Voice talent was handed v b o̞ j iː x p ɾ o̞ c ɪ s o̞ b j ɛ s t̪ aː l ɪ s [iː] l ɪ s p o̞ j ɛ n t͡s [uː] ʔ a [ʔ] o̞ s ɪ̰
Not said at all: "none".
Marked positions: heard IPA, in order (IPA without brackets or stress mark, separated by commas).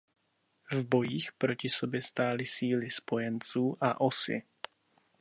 iː, uː, ʔ